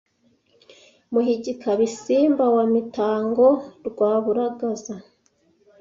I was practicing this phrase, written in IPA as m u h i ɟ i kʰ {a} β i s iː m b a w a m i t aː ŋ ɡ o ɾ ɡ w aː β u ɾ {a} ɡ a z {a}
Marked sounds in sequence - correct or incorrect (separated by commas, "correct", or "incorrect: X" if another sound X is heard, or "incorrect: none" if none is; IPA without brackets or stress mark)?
correct, correct, correct